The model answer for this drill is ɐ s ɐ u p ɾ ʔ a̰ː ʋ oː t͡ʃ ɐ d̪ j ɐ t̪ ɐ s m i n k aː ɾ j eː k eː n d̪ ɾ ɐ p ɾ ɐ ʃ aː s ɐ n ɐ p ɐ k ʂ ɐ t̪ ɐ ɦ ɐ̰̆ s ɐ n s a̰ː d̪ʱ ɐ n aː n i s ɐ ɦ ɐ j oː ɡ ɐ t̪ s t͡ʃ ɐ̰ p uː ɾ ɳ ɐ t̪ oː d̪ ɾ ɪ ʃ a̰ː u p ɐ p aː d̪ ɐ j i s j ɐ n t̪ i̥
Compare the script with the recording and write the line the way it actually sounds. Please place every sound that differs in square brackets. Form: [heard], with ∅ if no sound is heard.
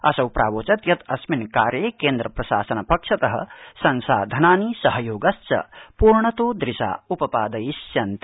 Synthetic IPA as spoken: ɐ s ɐ [w] p ɾ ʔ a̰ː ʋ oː t͡ʃ ɐ [t̪] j ɐ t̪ ɐ s m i n k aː ɾ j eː k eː n d̪ ɾ ɐ p ɾ ɐ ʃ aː s ɐ n ɐ p ɐ k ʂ ɐ t̪ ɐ ɦ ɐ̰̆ s ɐ n s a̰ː d̪ʱ ɐ n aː n i s ɐ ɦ ɐ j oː ɡ ɐ [∅] s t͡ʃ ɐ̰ p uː ɾ ɳ ɐ t̪ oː d̪ ɾ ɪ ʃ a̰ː u p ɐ p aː d̪ ɐ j i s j ɐ n t̪ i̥